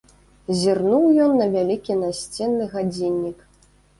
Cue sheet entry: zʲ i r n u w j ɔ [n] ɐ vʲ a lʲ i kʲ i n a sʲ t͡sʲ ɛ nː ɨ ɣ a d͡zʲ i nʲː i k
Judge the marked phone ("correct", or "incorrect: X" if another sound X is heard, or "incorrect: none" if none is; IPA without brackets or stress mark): incorrect: nː